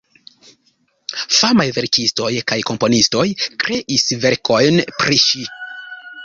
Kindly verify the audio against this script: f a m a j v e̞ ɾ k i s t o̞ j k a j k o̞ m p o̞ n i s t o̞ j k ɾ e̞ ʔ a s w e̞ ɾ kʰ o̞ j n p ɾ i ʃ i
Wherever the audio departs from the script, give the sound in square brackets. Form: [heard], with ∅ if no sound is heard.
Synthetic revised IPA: f a m a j v e̞ ɾ k i s t o̞ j k a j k o̞ m p o̞ n i s t o̞ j k ɾ e̞ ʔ [i] s [v] e̞ ɾ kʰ o̞ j n p ɾ i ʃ i